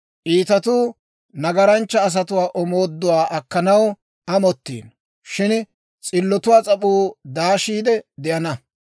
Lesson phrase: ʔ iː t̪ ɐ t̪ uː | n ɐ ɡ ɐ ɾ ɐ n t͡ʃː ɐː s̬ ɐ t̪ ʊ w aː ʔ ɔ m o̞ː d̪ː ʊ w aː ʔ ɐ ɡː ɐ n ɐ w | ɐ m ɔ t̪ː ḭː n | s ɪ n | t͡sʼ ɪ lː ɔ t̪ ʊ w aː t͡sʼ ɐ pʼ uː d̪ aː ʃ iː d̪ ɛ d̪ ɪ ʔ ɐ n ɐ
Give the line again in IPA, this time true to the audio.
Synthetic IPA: ʔ iː t̪ ɐ t̪ uː | n ɐ ɡ ɐ ɾ ɐ n t͡ʃː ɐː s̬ ɐ t̪ ʊ w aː ʔ ɔ m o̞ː d̪ː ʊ w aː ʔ ɐ kː ɐ n ɐ w | ɐ m ɔ t̪ː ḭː n | ʃ ɪ n | t͡sʼ ɪ lː ɔ t̪ ʊ w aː t͡sʼ ɐ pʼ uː d̪ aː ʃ iː d̪ ɛ d̪ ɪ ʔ ɐ n ɐ